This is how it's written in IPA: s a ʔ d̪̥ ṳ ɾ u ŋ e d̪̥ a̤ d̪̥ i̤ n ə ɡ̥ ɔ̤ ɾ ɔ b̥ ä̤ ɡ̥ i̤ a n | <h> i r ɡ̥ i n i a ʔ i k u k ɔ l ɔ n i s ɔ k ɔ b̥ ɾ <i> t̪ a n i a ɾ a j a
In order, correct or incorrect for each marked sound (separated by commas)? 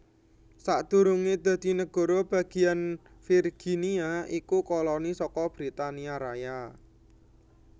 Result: incorrect, correct